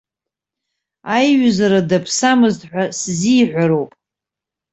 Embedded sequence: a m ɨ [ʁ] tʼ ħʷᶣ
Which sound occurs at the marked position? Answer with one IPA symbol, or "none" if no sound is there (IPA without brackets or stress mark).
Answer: z